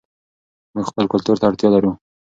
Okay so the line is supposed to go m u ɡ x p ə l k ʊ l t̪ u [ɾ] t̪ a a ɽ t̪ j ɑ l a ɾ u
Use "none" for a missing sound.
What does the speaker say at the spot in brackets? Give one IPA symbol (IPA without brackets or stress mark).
ɾ